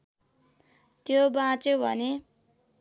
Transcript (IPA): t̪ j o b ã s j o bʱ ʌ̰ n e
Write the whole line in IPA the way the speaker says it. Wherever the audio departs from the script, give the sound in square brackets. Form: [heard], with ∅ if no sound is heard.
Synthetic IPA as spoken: t̪ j o b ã [t͡s] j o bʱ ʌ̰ n e